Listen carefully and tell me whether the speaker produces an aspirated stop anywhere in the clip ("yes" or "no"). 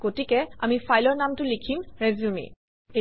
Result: yes